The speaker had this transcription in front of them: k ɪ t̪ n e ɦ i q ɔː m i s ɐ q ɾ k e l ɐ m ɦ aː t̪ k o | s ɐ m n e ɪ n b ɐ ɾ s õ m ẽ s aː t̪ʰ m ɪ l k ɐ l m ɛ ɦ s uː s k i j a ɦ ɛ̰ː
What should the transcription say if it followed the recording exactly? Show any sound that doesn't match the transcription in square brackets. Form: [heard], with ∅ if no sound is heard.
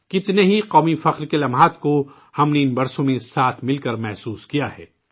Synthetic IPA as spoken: k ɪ t̪ n e ɦ i q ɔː m i [f] ɐ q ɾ k e l ɐ m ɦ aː t̪ k o | [h] ɐ m n e ɪ n b ɐ ɾ s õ m ẽ s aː t̪ʰ m ɪ l k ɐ [ɾ] m ɛ ɦ s uː s k i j a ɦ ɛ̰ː